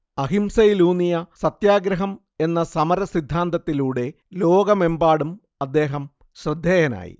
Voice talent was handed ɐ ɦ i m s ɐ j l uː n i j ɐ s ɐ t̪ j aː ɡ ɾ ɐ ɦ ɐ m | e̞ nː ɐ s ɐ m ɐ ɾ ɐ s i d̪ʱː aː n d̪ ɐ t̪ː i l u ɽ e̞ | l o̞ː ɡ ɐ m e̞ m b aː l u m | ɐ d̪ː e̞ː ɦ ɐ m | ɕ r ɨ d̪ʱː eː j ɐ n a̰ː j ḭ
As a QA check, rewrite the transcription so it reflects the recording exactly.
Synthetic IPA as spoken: ɐ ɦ i m s ɐ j l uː n i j ɐ s ɐ t̪ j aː ɡ ɾ ɐ ɦ ɐ m | e̞ nː ɐ s ɐ m ɐ ɾ ɐ s i d̪ʱː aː n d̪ ɐ t̪ː i l uː ɽ e̞ | l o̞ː ɡ ɐ m e̞ m b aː ɽ u m | ɐ d̪ː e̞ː ɦ ɐ m | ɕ r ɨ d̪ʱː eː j ɐ n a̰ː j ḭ